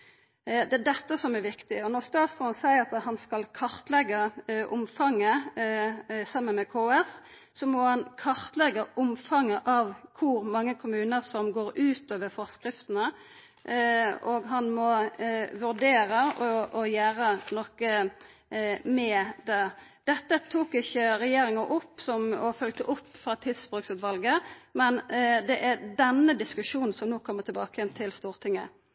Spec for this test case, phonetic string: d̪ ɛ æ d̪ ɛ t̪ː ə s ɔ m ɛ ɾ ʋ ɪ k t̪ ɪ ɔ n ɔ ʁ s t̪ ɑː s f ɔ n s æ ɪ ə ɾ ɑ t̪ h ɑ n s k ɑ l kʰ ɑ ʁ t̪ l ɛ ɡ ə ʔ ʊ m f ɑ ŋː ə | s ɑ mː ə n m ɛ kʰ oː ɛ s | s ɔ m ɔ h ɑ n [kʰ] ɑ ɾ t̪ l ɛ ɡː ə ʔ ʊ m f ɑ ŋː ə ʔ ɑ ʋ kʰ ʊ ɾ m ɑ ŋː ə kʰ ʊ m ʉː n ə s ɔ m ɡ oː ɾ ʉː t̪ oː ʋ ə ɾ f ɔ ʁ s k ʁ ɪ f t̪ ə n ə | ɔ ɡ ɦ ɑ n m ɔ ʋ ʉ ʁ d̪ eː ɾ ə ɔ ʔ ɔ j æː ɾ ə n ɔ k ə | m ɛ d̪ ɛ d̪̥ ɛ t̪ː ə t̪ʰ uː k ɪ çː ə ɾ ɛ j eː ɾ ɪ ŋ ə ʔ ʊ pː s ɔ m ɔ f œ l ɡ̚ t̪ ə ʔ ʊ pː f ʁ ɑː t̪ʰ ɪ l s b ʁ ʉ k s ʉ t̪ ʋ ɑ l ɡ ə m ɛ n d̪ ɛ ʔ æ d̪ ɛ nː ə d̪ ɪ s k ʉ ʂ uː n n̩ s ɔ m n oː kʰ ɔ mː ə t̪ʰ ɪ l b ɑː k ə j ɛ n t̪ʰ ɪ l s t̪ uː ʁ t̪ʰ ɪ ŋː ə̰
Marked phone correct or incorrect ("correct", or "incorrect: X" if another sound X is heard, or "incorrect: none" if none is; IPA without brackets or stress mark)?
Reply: correct